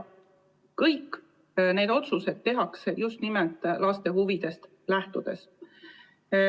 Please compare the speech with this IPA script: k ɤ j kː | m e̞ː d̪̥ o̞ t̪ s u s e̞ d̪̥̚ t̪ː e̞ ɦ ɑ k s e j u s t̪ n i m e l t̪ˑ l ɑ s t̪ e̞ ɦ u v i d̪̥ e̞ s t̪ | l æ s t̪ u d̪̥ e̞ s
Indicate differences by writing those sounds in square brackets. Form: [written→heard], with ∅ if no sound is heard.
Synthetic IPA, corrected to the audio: k ɤ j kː | [m→n] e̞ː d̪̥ o̞ t̪ s u s e̞ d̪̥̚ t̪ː e̞ ɦ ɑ k s e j u s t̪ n i m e l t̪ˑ l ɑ s t̪ e̞ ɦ u v i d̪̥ e̞ s t̪ | l æ [s→h] t̪ u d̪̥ e̞ s

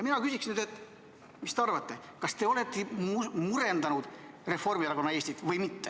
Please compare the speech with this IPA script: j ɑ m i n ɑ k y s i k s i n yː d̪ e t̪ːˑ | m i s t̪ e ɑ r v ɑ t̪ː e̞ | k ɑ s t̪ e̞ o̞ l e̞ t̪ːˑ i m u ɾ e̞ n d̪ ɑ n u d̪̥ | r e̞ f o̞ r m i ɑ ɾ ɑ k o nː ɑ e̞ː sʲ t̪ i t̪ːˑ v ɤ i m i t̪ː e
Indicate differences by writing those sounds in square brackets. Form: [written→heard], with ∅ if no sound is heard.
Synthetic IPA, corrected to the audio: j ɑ m i n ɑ k y s i k s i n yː d̪ e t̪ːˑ | m i s t̪ e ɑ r v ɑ t̪ː e̞ | k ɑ s t̪ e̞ o̞ l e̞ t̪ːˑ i m u ɾ e̞ n d̪ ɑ n u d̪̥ | r e̞ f o̞ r m i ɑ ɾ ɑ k o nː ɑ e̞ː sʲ t̪ i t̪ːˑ v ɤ [i→j] m i t̪ː e

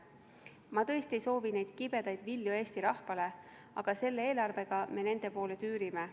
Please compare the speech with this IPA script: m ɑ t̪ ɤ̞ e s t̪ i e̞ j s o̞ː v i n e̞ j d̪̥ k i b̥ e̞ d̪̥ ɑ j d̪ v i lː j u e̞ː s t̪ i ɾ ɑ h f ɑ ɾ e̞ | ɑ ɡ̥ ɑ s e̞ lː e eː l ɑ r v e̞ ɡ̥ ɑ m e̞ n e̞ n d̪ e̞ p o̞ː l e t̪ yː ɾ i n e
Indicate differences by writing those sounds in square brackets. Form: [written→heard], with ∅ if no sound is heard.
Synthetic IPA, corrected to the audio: m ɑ t̪ ɤ̞ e s t̪ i e̞ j s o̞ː v i n e̞ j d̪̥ k i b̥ e̞ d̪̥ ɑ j d̪ v i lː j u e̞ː s t̪ i ɾ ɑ h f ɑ [ɾ→l] e̞ | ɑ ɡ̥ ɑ s e̞ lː e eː l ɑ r v e̞ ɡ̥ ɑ m e̞ n e̞ n d̪ e̞ p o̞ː l e t̪ yː ɾ i [n→m] e

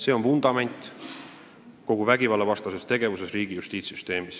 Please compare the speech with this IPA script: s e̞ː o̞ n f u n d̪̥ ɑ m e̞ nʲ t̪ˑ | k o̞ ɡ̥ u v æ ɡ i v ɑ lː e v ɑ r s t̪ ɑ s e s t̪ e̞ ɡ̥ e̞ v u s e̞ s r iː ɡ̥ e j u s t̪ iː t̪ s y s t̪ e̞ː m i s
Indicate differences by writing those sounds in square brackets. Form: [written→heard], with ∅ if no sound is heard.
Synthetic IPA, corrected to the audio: s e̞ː o̞ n f u n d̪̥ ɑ m e̞ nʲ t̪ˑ | k o̞ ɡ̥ u v æ ɡ i v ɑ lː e v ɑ [r→∅] s t̪ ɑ s e s t̪ e̞ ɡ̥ e̞ v u s e̞ s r iː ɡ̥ [e→i] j u s t̪ iː t̪ s y s t̪ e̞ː m i s

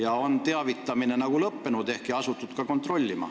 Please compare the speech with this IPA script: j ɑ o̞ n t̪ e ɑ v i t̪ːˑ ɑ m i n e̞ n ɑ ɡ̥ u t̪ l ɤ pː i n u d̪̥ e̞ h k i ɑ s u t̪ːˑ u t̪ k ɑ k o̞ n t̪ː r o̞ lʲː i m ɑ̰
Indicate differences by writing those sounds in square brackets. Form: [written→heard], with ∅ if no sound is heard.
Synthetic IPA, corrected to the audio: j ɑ o̞ n t̪ e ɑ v i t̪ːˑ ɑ m i n e̞ n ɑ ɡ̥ u [t̪→∅] l ɤ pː [i→e] n u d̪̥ e̞ h k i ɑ s u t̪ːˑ u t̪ k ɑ k o̞ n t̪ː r o̞ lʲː i m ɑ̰

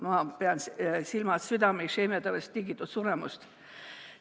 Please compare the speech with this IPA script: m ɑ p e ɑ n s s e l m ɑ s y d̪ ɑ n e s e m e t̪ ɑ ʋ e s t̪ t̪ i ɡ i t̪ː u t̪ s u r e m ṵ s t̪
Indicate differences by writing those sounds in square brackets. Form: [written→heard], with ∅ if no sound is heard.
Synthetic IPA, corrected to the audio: m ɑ p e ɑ n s s [e→i] l m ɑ s y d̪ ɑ [n→m] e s e m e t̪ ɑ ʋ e s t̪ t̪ i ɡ i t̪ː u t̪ s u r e m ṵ s t̪

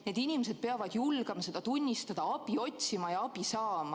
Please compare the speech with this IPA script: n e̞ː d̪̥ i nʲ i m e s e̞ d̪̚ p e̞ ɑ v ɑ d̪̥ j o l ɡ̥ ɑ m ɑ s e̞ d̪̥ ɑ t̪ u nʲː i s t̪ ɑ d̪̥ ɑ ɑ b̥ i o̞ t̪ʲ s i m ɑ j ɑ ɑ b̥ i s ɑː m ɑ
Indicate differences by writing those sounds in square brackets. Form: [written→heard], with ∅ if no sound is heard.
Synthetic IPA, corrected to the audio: n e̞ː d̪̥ i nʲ i m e s e̞ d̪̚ p e̞ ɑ v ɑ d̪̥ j [o→u] l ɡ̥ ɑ m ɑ s e̞ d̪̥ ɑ t̪ u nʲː i s t̪ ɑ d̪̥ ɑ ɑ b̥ i o̞ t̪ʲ s i m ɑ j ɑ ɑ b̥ i s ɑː m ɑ

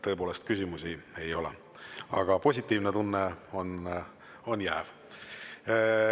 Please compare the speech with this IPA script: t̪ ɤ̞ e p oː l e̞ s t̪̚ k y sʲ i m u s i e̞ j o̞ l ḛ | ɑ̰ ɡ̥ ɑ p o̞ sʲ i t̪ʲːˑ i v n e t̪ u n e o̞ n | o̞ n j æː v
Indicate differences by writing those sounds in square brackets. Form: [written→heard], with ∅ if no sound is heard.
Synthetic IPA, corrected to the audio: t̪ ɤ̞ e p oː l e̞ s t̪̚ k y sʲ i m u s i e̞ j o̞ l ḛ | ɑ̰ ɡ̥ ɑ p o̞ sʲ i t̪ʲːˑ [i→iː] v n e t̪ u [n→nː] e o̞ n | o̞ n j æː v

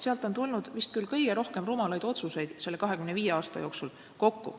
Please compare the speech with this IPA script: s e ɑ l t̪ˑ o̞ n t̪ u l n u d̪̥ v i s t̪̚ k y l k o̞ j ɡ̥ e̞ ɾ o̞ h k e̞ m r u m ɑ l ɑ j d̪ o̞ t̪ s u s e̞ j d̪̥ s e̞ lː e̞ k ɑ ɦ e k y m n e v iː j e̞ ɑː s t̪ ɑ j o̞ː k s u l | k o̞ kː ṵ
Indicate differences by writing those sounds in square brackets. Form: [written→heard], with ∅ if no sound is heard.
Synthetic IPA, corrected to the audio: s e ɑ l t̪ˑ o̞ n t̪ u l n u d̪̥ v i s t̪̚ k y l k [o̞→ɤ̞] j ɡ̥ e̞ ɾ o̞ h k e̞ m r u m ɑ l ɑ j d̪ o̞ t̪ s u s e̞ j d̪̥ s e̞ lː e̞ k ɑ ɦ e k y m n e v iː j e̞ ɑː s t̪ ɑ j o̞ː k s u l | k o̞ kː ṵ

